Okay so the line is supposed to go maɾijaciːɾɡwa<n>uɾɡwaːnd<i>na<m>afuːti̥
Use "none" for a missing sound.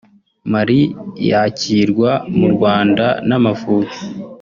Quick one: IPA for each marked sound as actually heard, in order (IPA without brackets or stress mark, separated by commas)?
m, a, m